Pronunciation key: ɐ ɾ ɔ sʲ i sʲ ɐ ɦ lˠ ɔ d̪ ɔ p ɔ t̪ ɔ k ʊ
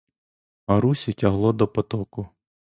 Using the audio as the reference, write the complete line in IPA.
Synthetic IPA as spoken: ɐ ɾ u sʲ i tʲ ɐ ɦ lˠ ɔ d̪ ɔ p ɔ t̪ ɔ k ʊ